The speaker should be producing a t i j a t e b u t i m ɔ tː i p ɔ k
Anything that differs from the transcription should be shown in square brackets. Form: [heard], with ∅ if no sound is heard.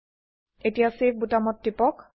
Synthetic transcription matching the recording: [e] t i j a [s] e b u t [a] m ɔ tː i p ɔ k